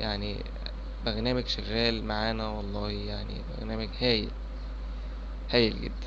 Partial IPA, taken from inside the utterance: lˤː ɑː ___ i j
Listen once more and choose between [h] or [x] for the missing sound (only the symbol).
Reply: h